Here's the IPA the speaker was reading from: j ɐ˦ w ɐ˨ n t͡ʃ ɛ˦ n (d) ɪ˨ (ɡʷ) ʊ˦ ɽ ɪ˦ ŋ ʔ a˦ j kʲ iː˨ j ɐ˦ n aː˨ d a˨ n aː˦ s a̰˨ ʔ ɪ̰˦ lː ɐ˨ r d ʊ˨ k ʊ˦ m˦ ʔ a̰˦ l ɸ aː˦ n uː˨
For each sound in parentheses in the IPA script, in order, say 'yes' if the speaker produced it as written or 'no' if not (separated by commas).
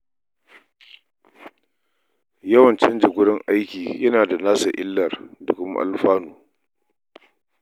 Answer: no, yes